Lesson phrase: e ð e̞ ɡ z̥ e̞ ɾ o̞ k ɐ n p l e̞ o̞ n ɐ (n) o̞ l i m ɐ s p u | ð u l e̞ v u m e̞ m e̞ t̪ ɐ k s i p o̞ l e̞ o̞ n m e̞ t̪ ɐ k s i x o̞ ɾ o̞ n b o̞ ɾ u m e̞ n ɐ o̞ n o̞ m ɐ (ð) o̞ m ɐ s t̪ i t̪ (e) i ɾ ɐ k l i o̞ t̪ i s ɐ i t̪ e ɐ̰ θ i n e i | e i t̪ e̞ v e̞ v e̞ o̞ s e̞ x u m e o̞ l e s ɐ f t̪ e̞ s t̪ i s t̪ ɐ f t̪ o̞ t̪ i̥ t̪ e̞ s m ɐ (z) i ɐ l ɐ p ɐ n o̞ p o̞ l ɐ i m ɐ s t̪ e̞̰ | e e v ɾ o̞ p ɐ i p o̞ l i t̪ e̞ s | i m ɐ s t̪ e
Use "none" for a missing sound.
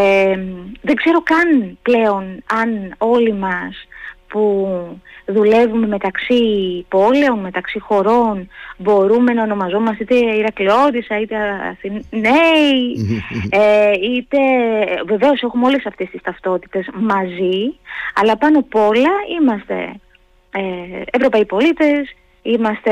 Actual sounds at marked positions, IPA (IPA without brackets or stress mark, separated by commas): n, z, e, z